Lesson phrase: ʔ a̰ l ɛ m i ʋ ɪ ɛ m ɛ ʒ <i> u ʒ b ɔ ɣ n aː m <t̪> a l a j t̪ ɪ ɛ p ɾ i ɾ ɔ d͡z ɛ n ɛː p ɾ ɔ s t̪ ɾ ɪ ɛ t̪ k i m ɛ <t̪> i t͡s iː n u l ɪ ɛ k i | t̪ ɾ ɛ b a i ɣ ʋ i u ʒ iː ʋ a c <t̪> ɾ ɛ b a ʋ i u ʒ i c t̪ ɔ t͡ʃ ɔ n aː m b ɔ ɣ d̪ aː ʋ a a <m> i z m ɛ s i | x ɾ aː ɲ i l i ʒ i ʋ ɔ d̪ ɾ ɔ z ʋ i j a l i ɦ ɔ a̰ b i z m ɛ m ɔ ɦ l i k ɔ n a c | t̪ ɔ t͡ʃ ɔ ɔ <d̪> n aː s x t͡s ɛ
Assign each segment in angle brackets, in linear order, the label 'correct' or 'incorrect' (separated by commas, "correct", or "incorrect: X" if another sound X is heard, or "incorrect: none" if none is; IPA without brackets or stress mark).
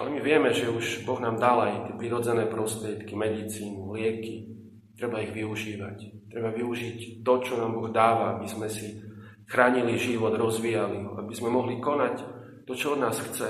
incorrect: ɛ, incorrect: d̪, incorrect: d̪, correct, incorrect: b, correct